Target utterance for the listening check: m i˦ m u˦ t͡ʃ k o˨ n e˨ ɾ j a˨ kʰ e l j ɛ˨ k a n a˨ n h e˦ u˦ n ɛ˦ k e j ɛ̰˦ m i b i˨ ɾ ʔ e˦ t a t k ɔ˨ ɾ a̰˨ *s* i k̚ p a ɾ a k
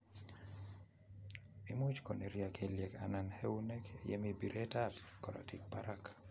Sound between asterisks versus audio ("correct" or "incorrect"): incorrect